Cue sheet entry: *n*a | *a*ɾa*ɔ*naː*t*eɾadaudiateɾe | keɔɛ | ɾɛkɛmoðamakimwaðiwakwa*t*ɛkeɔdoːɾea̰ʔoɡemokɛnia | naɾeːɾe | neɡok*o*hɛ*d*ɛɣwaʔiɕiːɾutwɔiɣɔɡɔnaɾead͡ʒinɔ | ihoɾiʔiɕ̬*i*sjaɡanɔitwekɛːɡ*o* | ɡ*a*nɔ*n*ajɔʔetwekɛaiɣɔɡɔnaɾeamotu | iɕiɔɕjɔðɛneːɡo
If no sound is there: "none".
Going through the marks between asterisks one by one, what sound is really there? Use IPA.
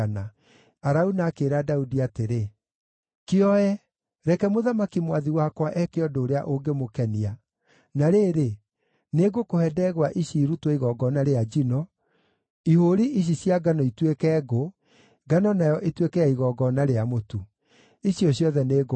n, a, u, k, ʔ, o, d, i, o, a, n

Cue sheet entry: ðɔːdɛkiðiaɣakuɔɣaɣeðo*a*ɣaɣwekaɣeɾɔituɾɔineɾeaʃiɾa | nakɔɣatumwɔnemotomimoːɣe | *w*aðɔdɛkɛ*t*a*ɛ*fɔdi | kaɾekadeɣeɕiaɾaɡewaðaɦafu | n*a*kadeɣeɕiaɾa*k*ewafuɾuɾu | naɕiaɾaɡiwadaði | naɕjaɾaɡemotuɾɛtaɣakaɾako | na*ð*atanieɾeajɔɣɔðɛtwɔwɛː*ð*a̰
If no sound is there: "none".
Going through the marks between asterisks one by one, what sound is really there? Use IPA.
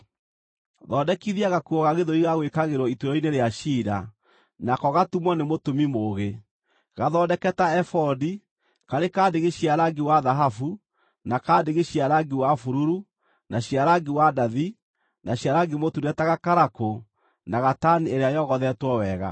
i, ɣ, t, ɛ, a, ɡ, ɣ, ɣ

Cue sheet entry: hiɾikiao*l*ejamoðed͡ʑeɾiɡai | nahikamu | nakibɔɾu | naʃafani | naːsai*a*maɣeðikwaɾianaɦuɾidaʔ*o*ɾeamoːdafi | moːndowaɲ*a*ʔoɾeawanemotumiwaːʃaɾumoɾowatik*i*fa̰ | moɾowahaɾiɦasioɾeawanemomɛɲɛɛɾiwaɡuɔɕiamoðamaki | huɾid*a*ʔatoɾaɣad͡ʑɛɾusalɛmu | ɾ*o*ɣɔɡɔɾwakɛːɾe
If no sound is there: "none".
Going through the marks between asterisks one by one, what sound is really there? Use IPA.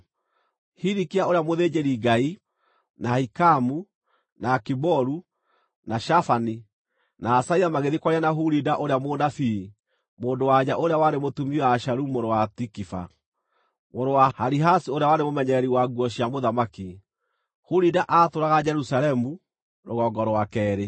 ɾ, a, o, a, i, a, o

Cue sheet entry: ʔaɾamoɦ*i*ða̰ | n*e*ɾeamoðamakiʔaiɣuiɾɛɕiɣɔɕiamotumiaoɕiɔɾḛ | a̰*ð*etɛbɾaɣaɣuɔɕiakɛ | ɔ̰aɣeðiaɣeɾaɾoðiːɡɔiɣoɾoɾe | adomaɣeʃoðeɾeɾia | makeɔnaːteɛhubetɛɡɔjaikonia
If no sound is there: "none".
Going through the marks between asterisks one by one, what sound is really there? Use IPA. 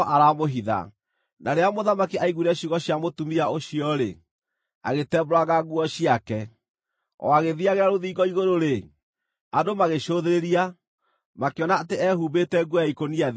i, a, ɣ

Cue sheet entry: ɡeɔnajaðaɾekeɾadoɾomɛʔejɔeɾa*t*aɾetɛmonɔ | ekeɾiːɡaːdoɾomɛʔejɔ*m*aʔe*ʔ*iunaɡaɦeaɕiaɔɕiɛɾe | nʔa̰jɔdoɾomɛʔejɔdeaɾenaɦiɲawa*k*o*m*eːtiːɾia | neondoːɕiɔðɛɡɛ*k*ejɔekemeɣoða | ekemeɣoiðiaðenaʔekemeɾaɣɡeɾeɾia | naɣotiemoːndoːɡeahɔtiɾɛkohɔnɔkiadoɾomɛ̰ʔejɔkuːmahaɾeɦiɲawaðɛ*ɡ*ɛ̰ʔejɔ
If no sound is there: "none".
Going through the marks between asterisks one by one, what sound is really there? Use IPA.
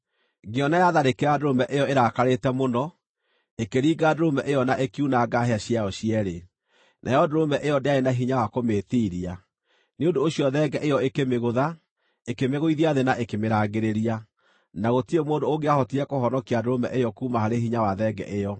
k, n, k, k, m, ʔ, ɡ

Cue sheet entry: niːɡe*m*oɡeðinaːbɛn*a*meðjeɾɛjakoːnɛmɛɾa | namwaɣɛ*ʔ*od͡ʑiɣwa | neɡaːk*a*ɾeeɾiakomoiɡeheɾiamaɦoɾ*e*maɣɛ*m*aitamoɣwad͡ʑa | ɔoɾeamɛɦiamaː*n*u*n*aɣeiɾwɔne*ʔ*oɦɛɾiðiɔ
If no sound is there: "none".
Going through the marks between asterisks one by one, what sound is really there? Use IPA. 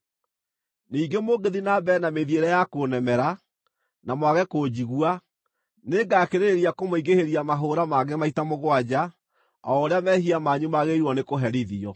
m, a, k, e, a, m, ɲ, m, k

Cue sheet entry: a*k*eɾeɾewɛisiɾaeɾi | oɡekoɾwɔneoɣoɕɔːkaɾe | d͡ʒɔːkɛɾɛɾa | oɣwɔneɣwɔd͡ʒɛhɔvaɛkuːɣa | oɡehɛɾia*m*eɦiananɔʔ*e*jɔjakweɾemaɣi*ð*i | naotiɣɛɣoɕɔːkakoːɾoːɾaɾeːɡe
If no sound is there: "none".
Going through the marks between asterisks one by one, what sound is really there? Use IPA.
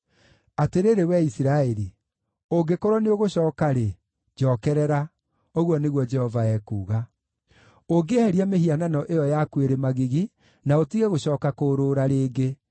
t, m, e, ɣ

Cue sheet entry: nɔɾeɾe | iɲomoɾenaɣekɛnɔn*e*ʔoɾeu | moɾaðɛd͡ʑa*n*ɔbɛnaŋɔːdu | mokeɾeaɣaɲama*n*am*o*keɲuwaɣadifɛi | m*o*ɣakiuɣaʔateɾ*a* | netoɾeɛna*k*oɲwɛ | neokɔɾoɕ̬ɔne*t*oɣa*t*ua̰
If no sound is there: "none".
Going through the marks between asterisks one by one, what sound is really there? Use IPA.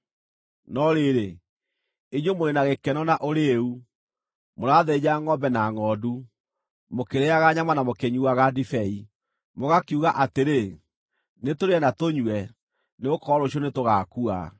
a, ŋ, n, o, o, e, t, t, k

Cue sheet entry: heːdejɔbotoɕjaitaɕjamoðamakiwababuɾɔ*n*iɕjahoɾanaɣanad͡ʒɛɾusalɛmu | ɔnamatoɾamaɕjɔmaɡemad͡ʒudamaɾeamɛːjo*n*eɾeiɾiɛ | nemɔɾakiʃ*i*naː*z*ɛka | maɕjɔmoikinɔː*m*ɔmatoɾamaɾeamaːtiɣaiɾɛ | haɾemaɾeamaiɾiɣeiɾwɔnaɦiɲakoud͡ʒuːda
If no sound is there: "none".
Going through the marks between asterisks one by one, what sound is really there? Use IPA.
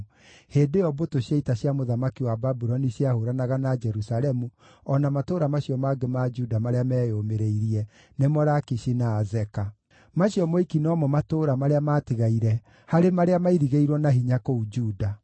n, m, i, z, m

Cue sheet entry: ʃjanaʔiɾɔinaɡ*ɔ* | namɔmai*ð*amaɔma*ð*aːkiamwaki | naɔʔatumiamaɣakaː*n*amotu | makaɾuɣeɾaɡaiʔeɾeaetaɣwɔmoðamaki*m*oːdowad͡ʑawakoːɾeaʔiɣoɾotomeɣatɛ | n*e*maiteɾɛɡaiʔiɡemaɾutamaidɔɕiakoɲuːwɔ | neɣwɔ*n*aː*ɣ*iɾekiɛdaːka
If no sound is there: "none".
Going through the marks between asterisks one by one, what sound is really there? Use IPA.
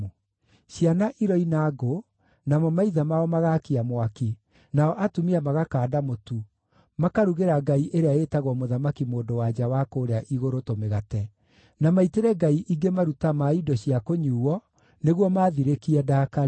o, ð, ɣ, d, m, a, m, ð

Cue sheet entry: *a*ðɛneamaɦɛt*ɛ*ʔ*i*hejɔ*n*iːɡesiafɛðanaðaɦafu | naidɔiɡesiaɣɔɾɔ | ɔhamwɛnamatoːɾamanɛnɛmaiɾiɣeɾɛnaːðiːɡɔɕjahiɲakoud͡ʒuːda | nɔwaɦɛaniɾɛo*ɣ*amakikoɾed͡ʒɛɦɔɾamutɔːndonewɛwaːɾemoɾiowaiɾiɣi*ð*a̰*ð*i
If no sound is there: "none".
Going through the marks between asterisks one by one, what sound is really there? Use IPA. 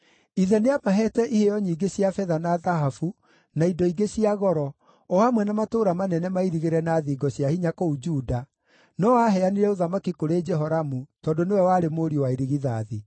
i, ɛ, i, ɲ, ð, ð, ð

